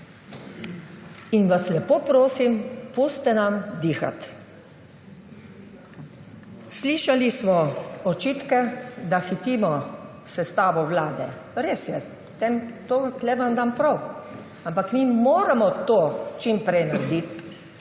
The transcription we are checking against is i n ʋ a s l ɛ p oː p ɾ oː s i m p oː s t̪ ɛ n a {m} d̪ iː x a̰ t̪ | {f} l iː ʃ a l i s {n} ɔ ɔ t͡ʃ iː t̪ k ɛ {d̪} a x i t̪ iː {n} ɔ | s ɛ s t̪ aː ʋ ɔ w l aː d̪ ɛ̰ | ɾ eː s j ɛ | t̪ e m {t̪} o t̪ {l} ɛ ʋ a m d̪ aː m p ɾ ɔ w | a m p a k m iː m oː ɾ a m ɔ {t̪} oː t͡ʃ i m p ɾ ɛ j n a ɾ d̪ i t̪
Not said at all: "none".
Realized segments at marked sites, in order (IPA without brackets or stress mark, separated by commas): m, s, m, d̪, m, t̪, l, t̪